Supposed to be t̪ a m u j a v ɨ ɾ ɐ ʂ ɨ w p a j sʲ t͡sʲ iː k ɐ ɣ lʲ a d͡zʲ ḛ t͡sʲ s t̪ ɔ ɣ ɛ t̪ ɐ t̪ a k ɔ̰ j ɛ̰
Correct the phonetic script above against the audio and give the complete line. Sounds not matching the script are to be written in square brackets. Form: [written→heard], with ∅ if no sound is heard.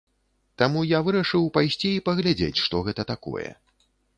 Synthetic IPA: t̪ a m u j a v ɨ ɾ ɐ ʂ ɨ w p a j sʲ t͡sʲ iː [k→p] ɐ ɣ lʲ a d͡zʲ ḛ t͡sʲ [s→ʂ] t̪ ɔ ɣ ɛ t̪ ɐ t̪ a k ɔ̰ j ɛ̰